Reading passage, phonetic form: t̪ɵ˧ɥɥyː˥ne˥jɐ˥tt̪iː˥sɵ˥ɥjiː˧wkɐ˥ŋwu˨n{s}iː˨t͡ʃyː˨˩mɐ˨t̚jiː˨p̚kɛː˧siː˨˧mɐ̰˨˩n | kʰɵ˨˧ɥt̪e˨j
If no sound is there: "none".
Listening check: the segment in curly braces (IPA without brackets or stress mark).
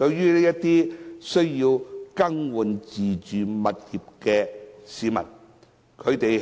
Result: t͡s